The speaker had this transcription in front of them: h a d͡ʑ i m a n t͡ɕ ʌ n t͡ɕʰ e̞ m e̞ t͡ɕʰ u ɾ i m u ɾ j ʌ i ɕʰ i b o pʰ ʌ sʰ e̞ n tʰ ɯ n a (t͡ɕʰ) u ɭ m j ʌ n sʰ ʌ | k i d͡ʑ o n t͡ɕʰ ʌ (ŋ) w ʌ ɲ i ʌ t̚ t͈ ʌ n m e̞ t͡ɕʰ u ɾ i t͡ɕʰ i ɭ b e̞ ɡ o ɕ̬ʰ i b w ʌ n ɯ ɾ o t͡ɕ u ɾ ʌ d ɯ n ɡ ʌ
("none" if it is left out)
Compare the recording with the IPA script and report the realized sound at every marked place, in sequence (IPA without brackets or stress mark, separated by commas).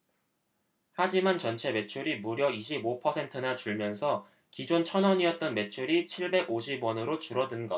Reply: t͡ɕ, n